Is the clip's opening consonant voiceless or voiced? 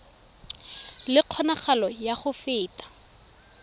voiced